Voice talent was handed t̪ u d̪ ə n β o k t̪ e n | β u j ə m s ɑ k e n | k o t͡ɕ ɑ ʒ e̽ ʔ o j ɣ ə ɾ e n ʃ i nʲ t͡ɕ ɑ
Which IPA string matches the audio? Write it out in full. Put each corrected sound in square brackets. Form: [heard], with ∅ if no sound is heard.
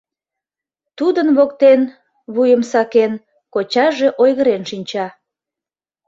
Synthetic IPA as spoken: t̪ u d̪ ə n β o k t̪ e n | β u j ə m s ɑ k e n | k o t͡ɕ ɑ ʒ e̽ ʔ o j ɣ ə ɾ e n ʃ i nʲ t͡ɕ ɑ